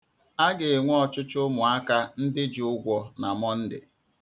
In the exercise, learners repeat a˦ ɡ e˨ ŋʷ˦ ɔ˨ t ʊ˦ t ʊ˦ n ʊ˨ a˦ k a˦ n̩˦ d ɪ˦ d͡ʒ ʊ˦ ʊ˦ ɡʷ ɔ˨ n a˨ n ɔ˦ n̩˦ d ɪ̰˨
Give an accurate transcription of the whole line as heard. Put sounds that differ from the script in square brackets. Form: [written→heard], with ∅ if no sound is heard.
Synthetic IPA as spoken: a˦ ɡ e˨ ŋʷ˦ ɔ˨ [t→t͡ʃ] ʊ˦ [t→t͡ʃ] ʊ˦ [n→m] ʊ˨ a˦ k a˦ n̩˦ d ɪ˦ d͡ʒ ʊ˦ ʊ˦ ɡʷ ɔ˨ n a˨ [n→m] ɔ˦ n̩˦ d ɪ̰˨